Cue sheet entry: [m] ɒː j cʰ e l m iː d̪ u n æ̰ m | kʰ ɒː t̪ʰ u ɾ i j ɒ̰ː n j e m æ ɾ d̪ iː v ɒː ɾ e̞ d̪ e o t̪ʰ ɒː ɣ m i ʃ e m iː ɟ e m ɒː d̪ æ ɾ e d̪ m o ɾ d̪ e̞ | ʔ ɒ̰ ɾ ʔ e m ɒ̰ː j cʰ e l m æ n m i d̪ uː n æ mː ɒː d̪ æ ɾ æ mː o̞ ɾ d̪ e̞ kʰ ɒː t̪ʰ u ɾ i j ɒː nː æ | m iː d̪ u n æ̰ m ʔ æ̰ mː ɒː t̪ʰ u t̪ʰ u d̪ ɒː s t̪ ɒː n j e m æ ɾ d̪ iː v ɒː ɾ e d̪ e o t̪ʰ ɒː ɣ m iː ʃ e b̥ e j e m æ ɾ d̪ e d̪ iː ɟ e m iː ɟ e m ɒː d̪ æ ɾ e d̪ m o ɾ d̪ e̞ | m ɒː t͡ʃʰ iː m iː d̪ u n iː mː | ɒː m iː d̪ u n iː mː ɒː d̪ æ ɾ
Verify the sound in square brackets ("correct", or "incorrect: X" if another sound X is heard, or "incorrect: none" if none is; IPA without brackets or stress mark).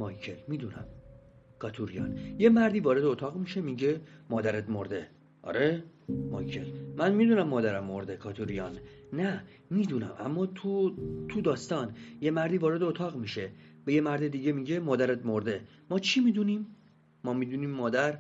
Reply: correct